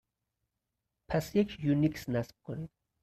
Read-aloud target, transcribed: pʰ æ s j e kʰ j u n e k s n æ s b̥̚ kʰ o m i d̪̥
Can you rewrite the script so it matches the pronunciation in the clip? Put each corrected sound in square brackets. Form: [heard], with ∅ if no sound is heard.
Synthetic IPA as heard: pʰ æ s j e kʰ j u n [i] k s n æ s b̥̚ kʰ o [n] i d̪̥